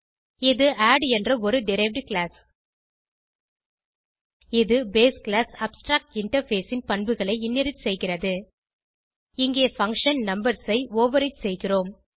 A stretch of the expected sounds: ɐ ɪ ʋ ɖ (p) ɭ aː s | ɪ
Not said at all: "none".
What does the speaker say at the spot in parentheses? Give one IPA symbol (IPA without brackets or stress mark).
k